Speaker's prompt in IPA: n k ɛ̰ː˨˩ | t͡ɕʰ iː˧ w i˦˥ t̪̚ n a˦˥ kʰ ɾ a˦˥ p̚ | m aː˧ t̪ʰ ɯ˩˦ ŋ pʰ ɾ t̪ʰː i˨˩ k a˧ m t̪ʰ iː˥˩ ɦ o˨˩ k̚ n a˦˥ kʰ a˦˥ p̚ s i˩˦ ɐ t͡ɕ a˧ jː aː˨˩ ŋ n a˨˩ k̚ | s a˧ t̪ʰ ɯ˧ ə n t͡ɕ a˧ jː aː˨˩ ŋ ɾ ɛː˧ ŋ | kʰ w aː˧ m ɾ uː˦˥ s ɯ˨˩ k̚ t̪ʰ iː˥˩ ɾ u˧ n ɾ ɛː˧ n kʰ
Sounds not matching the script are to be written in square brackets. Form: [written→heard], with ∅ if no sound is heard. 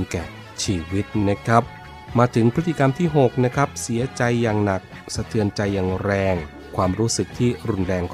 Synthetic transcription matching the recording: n k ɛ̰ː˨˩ | t͡ɕʰ iː˧ w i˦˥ t̪̚ n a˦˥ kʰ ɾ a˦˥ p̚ | m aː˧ t̪ʰ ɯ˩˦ ŋ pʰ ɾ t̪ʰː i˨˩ k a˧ m t̪ʰ iː˥˩ ɦ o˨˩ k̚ n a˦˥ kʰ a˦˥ p̚ s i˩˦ ɐ t͡ɕ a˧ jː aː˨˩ ŋ n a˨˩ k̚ | s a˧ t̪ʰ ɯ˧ ə n t͡ɕ a˧ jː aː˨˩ ŋ ɾ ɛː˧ ŋ | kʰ w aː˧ m ɾ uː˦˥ s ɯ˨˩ k̚ t̪ʰ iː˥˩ ɾ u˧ n ɾ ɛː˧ [n→ŋ] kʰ